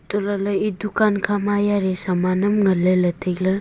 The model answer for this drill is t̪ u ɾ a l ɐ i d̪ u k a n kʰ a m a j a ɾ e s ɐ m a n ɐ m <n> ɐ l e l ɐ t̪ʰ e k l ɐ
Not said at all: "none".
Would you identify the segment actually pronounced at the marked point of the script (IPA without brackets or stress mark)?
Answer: ŋ